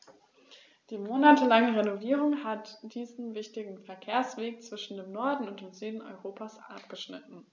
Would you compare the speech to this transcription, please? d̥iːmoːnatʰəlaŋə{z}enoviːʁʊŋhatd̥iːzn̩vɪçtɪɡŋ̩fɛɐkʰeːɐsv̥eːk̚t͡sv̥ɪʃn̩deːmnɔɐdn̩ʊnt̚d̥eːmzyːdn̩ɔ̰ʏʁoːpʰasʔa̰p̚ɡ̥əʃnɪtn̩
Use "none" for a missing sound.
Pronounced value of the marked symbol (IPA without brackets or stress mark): ʁ